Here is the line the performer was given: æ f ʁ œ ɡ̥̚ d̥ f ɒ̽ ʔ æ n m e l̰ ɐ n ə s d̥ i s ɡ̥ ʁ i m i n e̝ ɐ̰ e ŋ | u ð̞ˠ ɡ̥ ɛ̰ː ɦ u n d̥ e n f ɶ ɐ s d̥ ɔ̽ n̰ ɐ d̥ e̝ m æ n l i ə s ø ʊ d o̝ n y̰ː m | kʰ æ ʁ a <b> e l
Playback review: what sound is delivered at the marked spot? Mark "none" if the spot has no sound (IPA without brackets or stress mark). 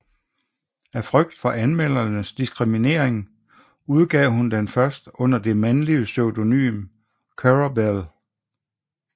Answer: b